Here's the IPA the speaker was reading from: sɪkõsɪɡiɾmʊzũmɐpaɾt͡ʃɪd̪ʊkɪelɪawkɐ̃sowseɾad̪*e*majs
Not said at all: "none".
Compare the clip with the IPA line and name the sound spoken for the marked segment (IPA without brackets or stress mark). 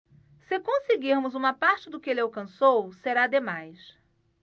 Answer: e